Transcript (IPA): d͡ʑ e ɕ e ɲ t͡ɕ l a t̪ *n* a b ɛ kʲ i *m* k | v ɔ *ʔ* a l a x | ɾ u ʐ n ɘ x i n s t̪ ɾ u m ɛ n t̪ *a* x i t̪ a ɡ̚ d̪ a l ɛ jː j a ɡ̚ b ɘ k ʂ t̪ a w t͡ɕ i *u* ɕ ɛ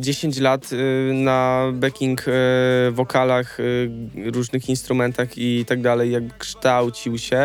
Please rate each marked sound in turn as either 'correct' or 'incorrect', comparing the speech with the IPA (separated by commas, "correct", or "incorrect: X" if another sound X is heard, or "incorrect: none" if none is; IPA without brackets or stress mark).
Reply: correct, incorrect: ŋ, incorrect: k, correct, incorrect: w